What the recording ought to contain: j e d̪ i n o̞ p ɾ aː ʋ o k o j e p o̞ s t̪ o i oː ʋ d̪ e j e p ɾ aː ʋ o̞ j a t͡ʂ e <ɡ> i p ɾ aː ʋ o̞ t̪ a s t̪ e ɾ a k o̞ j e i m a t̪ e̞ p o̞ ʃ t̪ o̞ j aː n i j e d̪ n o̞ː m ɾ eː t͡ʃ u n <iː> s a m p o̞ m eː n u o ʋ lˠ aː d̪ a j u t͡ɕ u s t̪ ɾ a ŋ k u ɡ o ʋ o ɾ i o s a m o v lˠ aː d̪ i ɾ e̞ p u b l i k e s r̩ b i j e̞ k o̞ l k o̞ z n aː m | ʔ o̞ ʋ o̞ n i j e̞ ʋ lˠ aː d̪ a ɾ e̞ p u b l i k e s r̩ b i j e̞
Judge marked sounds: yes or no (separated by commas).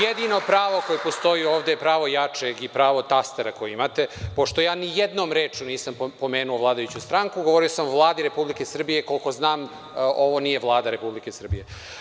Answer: yes, yes